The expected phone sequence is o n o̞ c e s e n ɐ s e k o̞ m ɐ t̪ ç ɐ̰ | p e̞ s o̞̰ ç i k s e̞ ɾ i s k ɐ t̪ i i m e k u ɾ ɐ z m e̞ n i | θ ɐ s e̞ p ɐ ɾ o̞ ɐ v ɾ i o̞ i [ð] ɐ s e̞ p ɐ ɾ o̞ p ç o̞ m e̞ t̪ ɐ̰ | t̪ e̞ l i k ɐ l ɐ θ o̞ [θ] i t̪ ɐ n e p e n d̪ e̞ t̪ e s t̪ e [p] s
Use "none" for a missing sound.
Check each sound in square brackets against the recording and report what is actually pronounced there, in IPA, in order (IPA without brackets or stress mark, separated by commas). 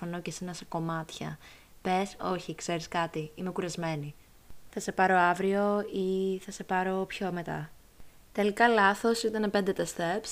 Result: θ, s, p